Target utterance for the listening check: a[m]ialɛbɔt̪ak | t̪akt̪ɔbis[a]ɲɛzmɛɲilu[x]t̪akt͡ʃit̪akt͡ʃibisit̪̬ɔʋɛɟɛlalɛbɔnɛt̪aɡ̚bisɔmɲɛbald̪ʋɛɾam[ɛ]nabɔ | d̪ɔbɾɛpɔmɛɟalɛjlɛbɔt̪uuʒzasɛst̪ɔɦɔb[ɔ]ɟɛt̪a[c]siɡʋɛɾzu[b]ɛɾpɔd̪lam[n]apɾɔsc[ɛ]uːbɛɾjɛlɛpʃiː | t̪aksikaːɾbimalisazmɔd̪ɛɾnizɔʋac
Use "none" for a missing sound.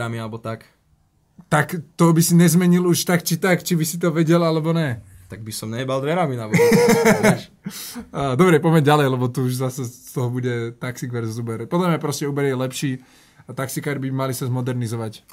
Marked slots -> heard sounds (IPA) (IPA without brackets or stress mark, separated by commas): m, i, ʃ, i, u, k, b, ɲ, ɛ